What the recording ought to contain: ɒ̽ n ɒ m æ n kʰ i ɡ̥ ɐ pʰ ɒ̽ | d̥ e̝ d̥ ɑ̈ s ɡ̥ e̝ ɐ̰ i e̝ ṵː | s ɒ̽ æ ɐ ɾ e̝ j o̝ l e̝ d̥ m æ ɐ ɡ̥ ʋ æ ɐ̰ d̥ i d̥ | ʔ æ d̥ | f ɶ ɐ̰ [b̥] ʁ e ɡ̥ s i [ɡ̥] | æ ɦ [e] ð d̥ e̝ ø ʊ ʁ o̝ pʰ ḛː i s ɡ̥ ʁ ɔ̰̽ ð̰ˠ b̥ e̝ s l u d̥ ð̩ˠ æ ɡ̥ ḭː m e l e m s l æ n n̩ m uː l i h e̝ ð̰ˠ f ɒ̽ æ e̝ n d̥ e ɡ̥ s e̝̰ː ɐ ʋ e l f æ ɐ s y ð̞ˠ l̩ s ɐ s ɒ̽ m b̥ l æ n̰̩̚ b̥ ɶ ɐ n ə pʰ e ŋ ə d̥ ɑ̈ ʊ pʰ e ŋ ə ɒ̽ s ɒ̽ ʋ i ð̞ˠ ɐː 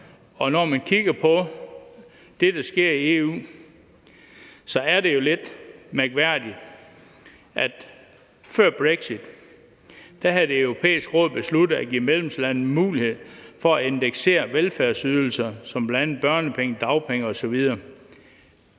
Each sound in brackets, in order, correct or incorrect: correct, incorrect, incorrect

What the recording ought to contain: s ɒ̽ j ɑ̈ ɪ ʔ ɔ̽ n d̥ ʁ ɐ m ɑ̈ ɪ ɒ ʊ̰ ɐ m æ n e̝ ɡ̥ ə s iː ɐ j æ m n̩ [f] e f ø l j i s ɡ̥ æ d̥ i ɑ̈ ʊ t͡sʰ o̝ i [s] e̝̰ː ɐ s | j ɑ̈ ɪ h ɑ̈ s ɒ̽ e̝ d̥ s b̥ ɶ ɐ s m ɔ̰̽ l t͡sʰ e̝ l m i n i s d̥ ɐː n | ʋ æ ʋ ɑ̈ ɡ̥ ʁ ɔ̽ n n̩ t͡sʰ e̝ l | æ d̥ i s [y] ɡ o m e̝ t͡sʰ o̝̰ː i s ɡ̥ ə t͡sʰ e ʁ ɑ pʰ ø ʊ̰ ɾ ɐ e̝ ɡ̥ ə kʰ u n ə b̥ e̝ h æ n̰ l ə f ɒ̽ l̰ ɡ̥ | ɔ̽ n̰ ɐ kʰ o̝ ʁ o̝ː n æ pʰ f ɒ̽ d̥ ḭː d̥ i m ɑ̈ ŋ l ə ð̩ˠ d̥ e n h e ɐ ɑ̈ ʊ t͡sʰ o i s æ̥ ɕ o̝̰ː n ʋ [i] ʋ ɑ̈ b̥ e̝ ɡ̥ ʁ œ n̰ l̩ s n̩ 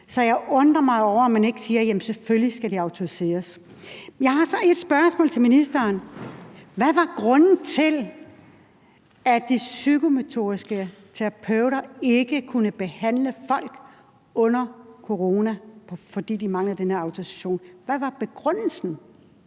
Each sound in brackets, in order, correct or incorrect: incorrect, correct, correct, incorrect

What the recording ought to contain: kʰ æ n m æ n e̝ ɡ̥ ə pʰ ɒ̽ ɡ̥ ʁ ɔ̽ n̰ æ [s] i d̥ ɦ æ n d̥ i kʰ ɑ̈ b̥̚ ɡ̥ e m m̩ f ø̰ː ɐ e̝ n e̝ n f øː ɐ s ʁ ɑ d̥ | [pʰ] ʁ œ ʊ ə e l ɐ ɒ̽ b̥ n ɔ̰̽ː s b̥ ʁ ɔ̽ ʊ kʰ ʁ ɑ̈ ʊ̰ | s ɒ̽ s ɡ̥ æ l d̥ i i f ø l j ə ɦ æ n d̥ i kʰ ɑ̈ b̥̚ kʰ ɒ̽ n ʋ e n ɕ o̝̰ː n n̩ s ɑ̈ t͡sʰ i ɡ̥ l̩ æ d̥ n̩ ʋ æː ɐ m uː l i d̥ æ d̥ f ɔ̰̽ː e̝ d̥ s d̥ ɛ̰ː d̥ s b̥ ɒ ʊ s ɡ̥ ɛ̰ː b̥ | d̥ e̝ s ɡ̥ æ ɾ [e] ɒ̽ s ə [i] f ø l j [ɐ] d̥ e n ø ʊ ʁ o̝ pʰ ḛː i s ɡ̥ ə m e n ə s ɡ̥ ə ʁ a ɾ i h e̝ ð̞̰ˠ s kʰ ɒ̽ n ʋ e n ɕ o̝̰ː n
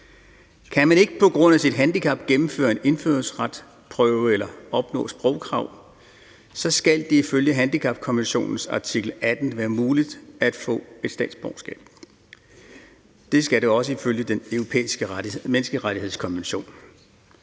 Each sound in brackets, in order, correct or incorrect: correct, correct, correct, correct, incorrect

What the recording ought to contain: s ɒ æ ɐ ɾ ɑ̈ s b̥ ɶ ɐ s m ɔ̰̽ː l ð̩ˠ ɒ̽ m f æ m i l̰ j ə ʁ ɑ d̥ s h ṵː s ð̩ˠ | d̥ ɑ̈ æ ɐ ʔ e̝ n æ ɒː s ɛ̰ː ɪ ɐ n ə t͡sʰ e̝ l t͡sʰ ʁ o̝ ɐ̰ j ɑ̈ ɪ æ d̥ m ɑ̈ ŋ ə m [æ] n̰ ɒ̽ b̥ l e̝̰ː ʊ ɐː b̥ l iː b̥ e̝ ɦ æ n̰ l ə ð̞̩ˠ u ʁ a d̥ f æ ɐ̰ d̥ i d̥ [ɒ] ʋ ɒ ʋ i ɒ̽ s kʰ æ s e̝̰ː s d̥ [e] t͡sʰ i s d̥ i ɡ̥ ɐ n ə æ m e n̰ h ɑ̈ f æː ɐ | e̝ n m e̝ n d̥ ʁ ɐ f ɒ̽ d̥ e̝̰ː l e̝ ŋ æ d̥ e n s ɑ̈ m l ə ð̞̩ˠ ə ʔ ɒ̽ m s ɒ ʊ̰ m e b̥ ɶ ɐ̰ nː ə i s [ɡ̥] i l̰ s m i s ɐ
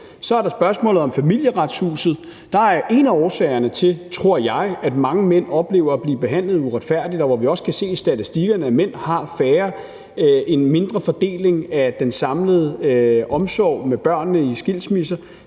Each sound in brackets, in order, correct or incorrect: incorrect, correct, incorrect, correct

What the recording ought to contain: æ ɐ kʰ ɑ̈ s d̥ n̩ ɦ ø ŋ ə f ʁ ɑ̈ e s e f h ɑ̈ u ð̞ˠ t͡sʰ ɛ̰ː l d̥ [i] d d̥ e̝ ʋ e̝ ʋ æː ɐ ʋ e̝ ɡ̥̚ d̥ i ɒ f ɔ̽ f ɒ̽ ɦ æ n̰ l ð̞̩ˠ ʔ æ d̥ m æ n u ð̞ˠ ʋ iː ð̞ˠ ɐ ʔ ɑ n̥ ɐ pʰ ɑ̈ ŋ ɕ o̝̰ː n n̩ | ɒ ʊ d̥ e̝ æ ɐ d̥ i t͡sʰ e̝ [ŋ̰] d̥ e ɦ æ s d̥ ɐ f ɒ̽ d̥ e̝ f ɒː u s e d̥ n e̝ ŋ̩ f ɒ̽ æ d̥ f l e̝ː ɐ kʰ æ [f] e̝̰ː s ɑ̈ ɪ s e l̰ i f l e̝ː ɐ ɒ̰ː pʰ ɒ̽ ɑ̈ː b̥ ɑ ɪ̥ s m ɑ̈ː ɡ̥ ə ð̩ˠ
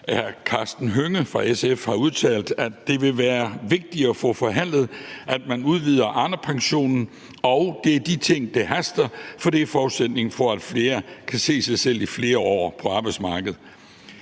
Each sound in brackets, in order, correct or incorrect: incorrect, correct, incorrect

